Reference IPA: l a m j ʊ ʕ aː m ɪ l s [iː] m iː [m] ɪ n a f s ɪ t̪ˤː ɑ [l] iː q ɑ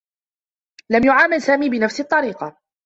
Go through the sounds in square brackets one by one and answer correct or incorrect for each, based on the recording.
incorrect, incorrect, incorrect

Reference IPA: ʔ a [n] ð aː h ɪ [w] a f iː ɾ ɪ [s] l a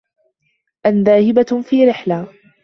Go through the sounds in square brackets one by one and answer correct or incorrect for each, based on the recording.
correct, incorrect, incorrect

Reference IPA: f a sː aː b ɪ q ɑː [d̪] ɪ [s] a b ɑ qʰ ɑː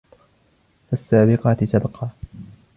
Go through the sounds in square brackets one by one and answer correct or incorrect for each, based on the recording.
incorrect, correct

